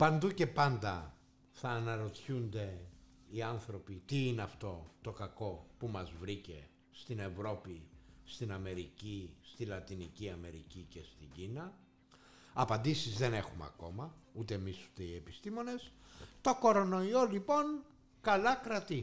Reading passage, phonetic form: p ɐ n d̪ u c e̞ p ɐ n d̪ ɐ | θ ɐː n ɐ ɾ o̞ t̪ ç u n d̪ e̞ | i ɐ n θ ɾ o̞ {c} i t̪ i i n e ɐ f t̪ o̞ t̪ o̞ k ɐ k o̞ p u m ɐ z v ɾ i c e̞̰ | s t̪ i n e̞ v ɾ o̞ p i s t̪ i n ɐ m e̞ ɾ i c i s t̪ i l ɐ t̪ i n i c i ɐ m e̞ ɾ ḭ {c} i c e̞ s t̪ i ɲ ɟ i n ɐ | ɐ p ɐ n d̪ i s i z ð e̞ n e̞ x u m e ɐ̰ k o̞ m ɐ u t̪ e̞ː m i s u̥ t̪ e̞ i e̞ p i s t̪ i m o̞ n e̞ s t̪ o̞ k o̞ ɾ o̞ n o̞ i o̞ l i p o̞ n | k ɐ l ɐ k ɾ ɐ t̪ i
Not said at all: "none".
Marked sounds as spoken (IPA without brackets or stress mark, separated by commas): p, c